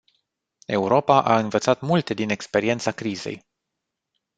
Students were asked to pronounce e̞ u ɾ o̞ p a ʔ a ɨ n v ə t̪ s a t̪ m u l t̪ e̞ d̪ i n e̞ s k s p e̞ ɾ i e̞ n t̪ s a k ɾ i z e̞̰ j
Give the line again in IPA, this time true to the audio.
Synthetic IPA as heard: e̞ u ɾ o̞ p a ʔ a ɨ n v ə t̪ s a t̪ m u l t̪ e̞ d̪ i n e̞ k s p e̞ ɾ i e̞ n t̪ s a k ɾ i z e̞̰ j